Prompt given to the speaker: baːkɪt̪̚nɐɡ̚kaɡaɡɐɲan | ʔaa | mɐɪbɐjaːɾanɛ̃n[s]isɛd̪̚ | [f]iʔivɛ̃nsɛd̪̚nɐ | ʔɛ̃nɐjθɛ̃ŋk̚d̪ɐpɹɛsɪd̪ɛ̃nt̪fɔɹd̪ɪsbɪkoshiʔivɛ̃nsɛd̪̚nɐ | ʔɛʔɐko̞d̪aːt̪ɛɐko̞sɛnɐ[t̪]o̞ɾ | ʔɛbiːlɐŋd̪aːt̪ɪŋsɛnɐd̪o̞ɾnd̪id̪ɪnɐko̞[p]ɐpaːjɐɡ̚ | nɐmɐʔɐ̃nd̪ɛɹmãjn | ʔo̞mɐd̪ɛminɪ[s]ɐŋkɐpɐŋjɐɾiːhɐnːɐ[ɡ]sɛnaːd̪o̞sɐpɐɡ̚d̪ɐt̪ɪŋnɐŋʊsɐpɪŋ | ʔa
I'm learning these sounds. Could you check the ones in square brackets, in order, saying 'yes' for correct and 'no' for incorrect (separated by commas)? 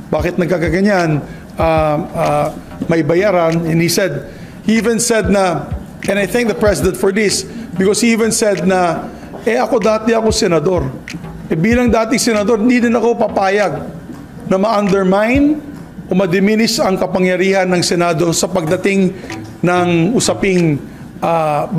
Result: no, no, no, yes, yes, no